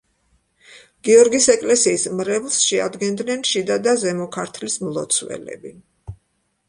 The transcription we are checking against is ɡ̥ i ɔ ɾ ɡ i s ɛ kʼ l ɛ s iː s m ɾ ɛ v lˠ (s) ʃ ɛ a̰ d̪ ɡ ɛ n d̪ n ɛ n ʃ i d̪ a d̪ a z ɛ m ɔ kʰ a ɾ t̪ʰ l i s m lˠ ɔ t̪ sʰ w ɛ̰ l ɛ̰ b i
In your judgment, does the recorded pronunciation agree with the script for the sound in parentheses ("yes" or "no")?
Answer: yes